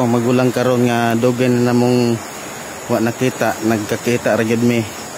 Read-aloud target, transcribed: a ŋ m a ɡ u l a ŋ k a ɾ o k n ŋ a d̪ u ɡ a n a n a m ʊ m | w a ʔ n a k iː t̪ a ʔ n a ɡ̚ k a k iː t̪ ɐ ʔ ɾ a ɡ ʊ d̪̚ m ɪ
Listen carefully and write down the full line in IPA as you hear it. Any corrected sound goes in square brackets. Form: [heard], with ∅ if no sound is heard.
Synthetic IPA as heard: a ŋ m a ɡ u l a ŋ k a ɾ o [∅] n ŋ a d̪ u ɡ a n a n a m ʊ [ŋ] | w a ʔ n a k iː t̪ a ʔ n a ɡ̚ k a k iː t̪ [a] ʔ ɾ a ɡ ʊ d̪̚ m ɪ

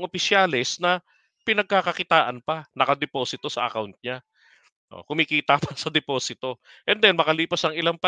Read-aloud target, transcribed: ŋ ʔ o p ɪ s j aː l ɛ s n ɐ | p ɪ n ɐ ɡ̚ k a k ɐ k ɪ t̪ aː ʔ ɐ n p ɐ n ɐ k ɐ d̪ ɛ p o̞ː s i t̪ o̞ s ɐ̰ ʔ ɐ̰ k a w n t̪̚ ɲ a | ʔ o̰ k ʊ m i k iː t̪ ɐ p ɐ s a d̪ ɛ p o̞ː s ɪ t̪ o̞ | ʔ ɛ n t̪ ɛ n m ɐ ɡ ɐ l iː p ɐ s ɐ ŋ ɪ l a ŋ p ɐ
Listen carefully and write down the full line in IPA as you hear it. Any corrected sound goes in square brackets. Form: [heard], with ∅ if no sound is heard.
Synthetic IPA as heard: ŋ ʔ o p ɪ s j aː l ɛ s n ɐ | p ɪ n ɐ ɡ̚ k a k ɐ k ɪ t̪ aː ʔ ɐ n p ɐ n ɐ k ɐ d̪ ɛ p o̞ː s [ɪ] t̪ o̞ s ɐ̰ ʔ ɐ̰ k a w n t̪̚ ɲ a | ʔ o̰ k ʊ m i k iː t̪ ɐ p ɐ s [ɐ] d̪ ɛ p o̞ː s ɪ t̪ o̞ | ʔ ɛ n [d̪] ɛ n m ɐ [k] ɐ l iː p ɐ s ɐ ŋ ɪ l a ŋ p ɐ

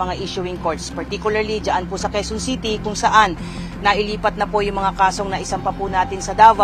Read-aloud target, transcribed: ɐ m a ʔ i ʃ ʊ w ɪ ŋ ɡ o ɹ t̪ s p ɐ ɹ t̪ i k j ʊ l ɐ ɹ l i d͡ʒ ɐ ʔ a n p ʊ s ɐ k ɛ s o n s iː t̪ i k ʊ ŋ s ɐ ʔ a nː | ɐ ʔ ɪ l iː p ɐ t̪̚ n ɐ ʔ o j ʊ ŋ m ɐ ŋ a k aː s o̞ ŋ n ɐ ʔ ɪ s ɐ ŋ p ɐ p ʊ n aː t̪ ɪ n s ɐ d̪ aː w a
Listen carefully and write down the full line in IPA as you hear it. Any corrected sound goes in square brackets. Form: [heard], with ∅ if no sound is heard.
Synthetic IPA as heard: ɐ [ŋ] a ʔ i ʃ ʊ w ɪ ŋ [k] o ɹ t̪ s p ɐ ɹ t̪ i k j ʊ l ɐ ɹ l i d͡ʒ ɐ ʔ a n p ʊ s ɐ k ɛ s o n s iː t̪ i k ʊ ŋ s ɐ ʔ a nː | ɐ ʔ ɪ l iː p ɐ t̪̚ n ɐ [p] o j ʊ ŋ m ɐ ŋ a k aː s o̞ ŋ n ɐ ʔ ɪ s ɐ [m] p ɐ p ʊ n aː t̪ ɪ n s ɐ d̪ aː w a

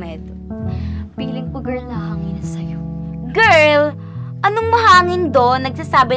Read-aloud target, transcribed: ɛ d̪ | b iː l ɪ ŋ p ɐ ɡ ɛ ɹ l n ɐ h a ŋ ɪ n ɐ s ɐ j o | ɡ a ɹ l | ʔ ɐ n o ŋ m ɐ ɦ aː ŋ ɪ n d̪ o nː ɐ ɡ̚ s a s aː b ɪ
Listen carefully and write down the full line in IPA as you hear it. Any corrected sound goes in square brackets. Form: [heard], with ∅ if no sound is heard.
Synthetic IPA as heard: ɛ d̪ | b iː l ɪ ŋ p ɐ ɡ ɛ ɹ l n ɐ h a ŋ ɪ n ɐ s ɐ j o | ɡ [ɛ] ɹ l | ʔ ɐ n o ŋ m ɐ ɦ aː ŋ ɪ n d̪ o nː ɐ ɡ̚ s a s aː b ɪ

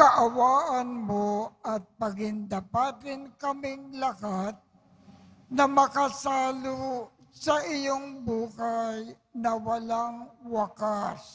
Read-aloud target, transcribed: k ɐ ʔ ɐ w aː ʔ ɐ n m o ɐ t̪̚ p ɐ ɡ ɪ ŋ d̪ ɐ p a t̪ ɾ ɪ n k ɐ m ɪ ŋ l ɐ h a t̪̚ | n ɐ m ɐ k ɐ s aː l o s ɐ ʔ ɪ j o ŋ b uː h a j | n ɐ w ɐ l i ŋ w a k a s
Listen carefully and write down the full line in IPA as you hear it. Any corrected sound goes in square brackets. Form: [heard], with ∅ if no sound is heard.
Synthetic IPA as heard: k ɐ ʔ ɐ w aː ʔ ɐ n m o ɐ t̪̚ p ɐ ɡ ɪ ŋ d̪ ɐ p a t̪ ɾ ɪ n k ɐ m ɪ ŋ l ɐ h a t̪̚ | n ɐ m ɐ k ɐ s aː l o s ɐ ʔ ɪ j o ŋ b uː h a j | n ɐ w ɐ l [a] ŋ w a k a s

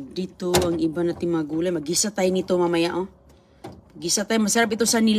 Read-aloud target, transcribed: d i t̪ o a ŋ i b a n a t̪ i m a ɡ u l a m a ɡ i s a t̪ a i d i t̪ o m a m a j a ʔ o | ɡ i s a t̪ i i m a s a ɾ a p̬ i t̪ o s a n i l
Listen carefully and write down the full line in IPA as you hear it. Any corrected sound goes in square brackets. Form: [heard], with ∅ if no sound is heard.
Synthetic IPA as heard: d i t̪ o a ŋ i b a n a t̪ i m a ɡ u l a m a ɡ i s a t̪ a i [n] i t̪ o m a m a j a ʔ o | ɡ i s a t̪ [a] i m a s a ɾ a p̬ i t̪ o s a n i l

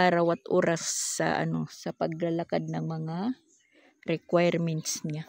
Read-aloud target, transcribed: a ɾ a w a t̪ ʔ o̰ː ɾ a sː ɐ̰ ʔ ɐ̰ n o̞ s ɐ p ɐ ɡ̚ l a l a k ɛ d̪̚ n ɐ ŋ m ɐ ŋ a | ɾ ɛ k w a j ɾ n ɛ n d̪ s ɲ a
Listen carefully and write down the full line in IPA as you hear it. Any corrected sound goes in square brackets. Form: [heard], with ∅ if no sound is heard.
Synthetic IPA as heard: a ɾ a w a t̪ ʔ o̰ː ɾ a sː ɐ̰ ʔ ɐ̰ n o̞ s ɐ p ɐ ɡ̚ l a l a k [a] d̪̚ n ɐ ŋ m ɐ ŋ a | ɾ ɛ k w a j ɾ [m] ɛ n [t̪] s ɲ a

